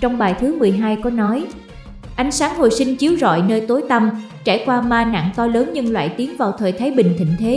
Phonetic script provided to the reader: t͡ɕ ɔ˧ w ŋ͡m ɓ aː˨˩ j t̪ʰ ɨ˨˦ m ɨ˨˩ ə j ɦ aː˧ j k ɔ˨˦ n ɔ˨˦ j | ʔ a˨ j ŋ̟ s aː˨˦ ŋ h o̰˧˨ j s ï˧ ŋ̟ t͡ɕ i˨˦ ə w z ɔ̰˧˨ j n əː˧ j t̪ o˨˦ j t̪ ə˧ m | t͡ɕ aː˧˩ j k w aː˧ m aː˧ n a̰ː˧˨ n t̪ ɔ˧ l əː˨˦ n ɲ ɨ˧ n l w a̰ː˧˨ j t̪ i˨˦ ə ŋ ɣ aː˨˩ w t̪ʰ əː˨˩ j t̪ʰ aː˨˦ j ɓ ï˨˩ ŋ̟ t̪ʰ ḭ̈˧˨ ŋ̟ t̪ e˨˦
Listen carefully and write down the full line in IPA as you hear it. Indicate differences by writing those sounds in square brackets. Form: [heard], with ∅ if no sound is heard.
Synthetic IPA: t͡ɕ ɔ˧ w ŋ͡m ɓ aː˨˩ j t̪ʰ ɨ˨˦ m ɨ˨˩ ə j ɦ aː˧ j k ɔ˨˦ n ɔ˨˦ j | ʔ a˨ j ŋ̟ s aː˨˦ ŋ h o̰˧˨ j s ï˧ ŋ̟ t͡ɕ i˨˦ ə w z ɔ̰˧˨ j n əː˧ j t̪ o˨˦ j t̪ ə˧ m | t͡ɕ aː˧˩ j k w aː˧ m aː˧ n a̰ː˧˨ [ŋ] t̪ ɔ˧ l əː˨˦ n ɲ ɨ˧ [ŋ] l w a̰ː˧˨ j t̪ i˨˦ ə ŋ [v] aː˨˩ w t̪ʰ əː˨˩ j t̪ʰ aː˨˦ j ɓ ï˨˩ ŋ̟ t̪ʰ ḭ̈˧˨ ŋ̟ [t̪ʰ] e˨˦